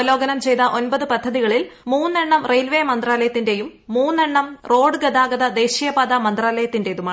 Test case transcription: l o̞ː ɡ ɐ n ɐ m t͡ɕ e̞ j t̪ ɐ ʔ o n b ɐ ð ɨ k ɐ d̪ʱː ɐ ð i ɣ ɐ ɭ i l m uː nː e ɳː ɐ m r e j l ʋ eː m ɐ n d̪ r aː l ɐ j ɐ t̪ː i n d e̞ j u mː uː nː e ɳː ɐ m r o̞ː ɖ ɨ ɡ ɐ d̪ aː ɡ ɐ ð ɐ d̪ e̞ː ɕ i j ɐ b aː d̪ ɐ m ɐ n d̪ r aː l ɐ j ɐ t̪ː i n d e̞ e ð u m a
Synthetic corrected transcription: l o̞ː ɡ ɐ n ɐ m t͡ɕ e̞ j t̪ ɐ ʔ o n b ɐ ð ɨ p ɐ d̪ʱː ɐ ð i ɣ ɐ ɭ i l m uː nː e ɳː ɐ m r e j l ʋ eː m ɐ n d̪ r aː l ɐ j ɐ t̪ː i n d e̞ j u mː uː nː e ɳː ɐ m r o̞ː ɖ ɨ ɡ ɐ d̪ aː ɡ ɐ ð ɐ d̪ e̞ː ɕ i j ɐ b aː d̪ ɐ m ɐ n d̪ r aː l ɐ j ɐ t̪ː i n d e̞ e ð u m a

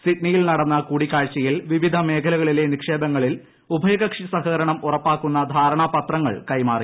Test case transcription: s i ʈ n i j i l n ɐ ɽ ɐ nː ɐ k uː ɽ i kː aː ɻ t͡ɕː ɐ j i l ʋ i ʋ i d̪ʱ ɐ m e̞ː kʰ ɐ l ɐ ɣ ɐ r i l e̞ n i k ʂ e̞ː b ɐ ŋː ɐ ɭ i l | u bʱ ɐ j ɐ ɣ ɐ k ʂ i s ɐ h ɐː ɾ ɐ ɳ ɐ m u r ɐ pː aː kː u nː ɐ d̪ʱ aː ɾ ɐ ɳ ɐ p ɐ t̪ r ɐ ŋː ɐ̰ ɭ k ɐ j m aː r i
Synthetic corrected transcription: s i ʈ n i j i l n ɐ ɽ ɐ nː ɐ k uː ɽ i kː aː ɻ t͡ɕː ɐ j i l ʋ i ʋ i d̪ʱ ɐ m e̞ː kʰ ɐ l ɐ ɣ ɐ ɭ i l e̞ n i k ʂ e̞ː b ɐ ŋː ɐ ɭ i l | u bʱ ɐ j ɐ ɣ ɐ k ʂ i s ɐ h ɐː ɾ ɐ ɳ ɐ m u r ɐ pː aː kː u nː ɐ d̪ʱ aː ɾ ɐ ɳ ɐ p ɐ t̪ r ɐ ŋː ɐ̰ ɭ k ɐ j m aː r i

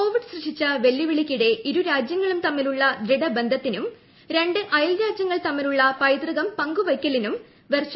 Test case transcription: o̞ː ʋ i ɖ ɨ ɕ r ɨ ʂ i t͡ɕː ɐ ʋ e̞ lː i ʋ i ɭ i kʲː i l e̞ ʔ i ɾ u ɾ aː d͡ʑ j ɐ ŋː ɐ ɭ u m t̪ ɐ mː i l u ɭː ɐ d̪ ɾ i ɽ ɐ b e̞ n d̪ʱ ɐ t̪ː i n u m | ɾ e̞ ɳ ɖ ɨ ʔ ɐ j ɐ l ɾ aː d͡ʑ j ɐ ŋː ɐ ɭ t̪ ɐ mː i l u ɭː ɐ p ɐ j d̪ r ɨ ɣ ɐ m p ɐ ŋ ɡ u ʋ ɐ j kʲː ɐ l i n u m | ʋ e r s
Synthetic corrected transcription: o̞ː ʋ i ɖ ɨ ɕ r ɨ ʂ i t͡ɕː ɐ ʋ e̞ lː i ʋ i ɭ i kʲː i ɽ e̞ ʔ i ɾ u ɾ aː d͡ʑ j ɐ ŋː ɐ ɭ u m t̪ ɐ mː i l u ɭː ɐ d̪ ɾ i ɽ ɐ b e̞ n d̪ʱ ɐ t̪ː i n u m | ɾ e̞ ɳ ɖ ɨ ʔ ɐ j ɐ l ɾ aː d͡ʑ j ɐ ŋː ɐ ɭ t̪ ɐ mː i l u ɭː ɐ p ɐ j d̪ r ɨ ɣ ɐ m p ɐ ŋ ɡ u ʋ ɐ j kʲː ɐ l i n u m | ʋ e r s

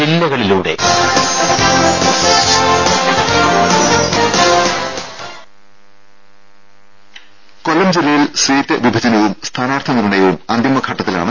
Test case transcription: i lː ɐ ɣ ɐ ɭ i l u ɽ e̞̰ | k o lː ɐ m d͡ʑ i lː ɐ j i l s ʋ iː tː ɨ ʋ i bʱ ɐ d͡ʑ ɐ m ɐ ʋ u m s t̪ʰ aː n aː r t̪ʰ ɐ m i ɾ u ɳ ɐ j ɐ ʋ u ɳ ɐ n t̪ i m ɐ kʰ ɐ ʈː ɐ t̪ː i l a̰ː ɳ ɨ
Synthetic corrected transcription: i lː ɐ ɣ ɐ ɭ i l uː ɽ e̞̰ | k o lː ɐ m d͡ʑ i lː ɐ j i l s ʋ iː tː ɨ ʋ i bʱ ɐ d͡ʑ ɐ n ɐ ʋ u m s t̪ʰ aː n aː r t̪ʰ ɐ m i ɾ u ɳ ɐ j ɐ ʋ u m ɐ n d̪ i m ɐ kʰ ɐ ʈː ɐ t̪ː i l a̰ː ɳ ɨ

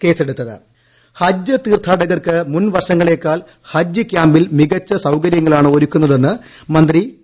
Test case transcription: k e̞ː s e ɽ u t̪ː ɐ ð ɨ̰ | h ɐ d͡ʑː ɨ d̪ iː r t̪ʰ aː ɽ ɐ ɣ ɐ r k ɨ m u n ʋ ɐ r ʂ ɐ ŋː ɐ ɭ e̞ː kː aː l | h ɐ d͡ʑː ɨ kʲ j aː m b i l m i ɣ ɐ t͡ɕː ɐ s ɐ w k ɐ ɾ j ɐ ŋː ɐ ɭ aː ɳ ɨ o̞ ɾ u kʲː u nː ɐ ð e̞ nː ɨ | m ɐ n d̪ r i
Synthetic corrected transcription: k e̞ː s e ɽ u t̪ː ɐ ð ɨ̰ | h ɐ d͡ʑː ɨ t̪ iː r t̪ʰ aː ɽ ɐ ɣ ɐ r k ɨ m u n ʋ ɐ r ʂ ɐ ŋː ɐ ɭ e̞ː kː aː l | h ɐ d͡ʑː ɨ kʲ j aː m b i l m i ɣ ɐ t͡ɕː ɐ s ɐ w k ɐ ɾ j ɐ ŋː ɐ ɭ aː ɳ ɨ o̞ ɾ u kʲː u nː ɐ ð e̞ nː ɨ | m ɐ n d̪ r i

